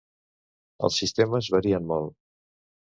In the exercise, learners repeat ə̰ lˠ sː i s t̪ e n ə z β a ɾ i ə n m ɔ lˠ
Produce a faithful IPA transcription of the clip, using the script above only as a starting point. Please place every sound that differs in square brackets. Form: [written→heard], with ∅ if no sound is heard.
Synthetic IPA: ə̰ lˠ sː i s t̪ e [n→m] ə z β [a→ə] ɾ i ə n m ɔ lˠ

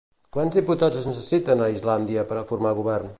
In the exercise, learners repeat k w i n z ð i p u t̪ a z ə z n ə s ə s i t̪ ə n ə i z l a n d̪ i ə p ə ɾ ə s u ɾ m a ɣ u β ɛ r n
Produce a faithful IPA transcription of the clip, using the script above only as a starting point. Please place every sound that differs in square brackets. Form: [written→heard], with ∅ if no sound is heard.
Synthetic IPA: k w [i→a] n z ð i p u t̪ a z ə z n ə s ə s i t̪ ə n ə i z l a n d̪ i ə p ə ɾ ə [s→f] u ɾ m a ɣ u β ɛ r n

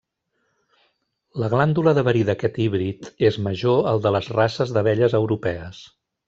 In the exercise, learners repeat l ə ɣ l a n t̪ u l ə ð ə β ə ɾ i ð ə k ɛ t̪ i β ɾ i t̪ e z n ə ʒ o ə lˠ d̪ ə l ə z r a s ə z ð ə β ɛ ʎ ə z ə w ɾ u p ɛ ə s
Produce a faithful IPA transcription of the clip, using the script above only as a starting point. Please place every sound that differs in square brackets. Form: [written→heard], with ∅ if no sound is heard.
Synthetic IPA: l ə ɣ l a n [t̪→d̪] u l ə ð ə β ə ɾ i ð ə k ɛ t̪ i β ɾ i t̪ e z [n→m] ə ʒ o ə lˠ d̪ ə l ə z r a s ə z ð ə β ɛ ʎ ə z ə w ɾ u p ɛ ə s

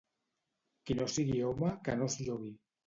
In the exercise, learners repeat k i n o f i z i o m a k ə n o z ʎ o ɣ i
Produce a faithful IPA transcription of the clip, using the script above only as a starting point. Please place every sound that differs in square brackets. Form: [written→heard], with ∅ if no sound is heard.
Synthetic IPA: k i n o [f→s] i [z→ɣ] i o m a k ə n o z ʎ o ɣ i

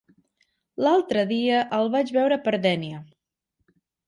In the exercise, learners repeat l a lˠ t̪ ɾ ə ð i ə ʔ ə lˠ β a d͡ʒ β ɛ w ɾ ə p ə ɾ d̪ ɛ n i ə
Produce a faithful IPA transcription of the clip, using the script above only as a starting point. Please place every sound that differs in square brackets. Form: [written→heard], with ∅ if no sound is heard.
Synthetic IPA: l a lˠ t̪ ɾ ə ð i ə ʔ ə lˠ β a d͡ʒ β ɛ w ɾ ə p ə ɾ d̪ ɛ n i ə

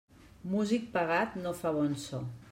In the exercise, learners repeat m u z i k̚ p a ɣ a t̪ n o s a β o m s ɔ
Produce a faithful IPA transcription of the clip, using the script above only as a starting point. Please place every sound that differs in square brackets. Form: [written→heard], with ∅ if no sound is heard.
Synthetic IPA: m u z i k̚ p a ɣ a t̪ n o [s→f] a β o [m→n] s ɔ

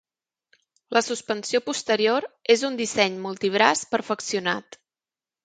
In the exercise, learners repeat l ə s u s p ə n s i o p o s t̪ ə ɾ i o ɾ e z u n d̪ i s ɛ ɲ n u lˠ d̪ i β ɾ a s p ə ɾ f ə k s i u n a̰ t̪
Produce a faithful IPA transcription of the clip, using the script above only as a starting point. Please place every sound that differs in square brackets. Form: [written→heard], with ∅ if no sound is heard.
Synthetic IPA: l ə s u s p ə n s i o p [o→u] s t̪ ə ɾ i o ɾ e z u n d̪ i s ɛ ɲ [n→m] u lˠ [d̪→t̪] i β ɾ a s p ə ɾ f ə k s i u n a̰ t̪

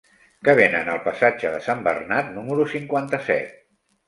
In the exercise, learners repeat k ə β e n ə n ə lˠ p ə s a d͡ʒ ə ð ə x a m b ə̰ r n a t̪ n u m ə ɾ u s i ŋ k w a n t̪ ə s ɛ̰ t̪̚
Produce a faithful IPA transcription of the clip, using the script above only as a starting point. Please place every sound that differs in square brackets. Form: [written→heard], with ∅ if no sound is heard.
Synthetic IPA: k ə β e n ə n ə lˠ p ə s a d͡ʒ ə ð ə [x→s] a m b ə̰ r n a t̪ n u m ə ɾ u s i ŋ k w a n t̪ ə s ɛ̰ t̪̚

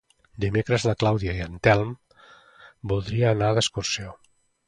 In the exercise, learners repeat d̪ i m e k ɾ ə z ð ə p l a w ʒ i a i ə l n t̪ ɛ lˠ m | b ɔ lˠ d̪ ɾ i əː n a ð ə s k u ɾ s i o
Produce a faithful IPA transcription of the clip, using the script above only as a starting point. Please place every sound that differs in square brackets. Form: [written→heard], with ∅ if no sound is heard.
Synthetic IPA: d̪ i m e k ɾ ə z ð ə [p→k] l a w [ʒ→ð] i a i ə [l→∅] n t̪ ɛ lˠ m | b [ɔ→u] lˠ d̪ ɾ i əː n a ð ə s k u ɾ s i o

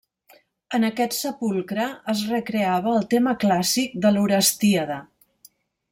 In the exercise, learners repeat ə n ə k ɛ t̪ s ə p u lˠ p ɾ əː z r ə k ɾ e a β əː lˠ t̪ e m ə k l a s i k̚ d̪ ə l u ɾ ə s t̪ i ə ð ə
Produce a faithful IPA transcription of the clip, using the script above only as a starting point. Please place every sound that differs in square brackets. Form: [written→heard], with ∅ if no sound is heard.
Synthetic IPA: ə n ə k ɛ t̪ s ə p u lˠ [p→k] ɾ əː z r ə k ɾ e a β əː lˠ t̪ e m ə k l a s i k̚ d̪ ə l u ɾ ə s t̪ i ə ð ə

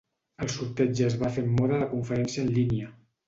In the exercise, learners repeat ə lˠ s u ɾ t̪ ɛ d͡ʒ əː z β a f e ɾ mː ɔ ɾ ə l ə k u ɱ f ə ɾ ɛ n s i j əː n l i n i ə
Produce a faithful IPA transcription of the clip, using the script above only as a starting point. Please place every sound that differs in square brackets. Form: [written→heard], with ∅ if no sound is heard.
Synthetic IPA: ə lˠ s u ɾ t̪ ɛ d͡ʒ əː z β a f e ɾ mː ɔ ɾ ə l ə k u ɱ f ə ɾ ɛ n s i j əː n l i n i ə

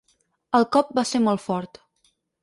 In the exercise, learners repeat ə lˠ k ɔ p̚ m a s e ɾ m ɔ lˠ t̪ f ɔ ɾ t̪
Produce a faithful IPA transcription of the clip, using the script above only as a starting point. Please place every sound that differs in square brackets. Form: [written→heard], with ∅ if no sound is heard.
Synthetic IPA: ə lˠ k ɔ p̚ [m→b] a s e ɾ m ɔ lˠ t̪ f ɔ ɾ t̪

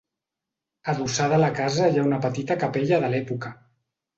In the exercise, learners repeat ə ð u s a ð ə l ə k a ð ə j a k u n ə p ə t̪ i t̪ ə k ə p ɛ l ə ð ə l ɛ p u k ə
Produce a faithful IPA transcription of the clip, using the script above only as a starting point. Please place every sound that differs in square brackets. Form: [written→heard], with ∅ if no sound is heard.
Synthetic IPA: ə ð u s a ð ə l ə k a [ð→z] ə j a [k→∅] u n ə p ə t̪ i t̪ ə k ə p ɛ [l→ʎ] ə ð ə l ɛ p u k ə

